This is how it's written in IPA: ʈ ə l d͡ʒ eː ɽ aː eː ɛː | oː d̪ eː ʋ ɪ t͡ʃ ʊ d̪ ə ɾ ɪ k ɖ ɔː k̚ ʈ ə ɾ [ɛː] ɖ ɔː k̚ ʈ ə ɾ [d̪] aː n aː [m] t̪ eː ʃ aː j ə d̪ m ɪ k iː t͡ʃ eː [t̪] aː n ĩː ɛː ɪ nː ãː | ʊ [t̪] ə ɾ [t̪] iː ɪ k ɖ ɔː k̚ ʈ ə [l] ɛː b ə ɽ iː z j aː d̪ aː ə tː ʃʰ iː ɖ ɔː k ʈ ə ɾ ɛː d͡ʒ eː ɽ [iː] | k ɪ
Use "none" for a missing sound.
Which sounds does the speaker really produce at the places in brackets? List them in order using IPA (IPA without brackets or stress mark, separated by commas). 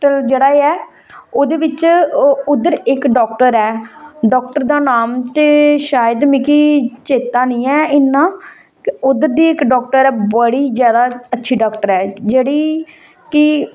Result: ɛː, d̪, m, t̪, d̪, d̪, ɾ, iː